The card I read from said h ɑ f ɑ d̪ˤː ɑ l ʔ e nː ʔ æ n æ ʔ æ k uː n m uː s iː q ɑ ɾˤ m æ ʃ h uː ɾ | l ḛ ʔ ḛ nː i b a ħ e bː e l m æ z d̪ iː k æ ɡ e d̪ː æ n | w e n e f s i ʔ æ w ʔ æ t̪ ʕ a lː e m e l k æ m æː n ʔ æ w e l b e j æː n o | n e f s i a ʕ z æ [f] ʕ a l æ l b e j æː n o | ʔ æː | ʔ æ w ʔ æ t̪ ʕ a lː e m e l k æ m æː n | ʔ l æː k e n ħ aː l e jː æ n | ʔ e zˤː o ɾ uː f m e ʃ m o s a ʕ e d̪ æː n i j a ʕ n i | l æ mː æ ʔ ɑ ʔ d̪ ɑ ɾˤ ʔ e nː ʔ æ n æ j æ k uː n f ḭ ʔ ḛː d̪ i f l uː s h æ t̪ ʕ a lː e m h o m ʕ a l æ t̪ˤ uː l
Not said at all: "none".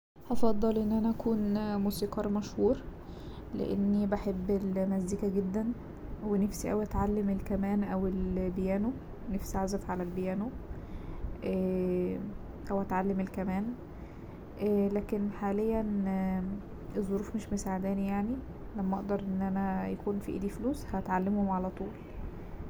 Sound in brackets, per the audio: f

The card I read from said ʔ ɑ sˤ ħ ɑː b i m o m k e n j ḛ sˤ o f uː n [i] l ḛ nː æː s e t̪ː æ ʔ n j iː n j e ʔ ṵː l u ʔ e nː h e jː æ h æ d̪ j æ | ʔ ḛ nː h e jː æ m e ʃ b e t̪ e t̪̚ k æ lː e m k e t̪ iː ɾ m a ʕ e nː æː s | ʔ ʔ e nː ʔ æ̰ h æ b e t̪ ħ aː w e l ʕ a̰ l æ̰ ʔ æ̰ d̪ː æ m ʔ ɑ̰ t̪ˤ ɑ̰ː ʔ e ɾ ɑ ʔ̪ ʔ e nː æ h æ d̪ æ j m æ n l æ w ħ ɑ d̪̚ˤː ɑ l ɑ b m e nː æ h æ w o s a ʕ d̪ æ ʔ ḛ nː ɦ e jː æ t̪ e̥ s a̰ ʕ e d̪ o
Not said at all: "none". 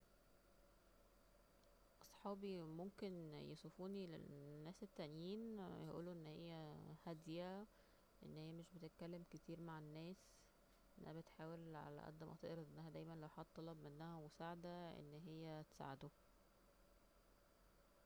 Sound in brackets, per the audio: i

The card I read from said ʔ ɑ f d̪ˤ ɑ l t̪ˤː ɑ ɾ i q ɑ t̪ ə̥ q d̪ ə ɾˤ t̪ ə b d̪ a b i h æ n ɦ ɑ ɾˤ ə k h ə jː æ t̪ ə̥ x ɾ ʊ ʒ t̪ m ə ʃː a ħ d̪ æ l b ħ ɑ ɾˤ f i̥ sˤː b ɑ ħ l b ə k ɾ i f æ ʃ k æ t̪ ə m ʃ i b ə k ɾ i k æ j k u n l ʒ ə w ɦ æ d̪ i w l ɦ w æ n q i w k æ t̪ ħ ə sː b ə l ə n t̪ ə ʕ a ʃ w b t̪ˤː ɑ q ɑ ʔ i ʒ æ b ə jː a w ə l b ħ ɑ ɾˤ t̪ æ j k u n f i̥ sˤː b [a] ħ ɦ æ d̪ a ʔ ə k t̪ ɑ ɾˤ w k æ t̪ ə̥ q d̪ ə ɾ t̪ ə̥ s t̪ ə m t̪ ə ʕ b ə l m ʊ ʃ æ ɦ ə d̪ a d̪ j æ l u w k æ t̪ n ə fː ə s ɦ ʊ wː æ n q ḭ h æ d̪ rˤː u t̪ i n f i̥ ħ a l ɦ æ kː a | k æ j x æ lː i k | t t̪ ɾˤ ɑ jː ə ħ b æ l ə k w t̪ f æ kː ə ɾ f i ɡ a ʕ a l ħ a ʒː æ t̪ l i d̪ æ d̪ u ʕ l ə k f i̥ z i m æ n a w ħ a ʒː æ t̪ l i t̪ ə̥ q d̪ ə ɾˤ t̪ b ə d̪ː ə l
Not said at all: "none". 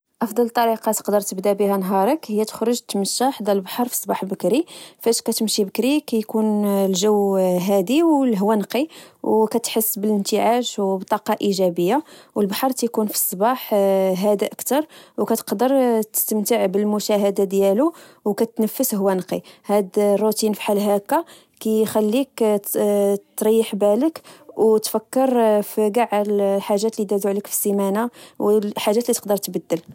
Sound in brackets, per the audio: ɑ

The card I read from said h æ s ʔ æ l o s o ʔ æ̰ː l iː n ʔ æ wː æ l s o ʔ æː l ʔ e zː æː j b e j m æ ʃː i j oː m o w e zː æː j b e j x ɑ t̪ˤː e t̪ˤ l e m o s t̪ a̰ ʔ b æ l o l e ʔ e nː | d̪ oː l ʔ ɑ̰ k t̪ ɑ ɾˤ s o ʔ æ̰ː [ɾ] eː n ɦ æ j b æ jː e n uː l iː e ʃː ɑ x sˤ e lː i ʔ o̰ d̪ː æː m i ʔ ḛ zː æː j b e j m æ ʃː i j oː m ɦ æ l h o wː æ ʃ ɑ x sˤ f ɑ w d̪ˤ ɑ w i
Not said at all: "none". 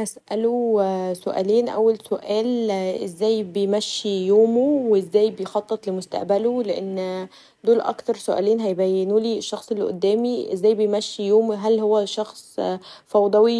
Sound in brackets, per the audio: l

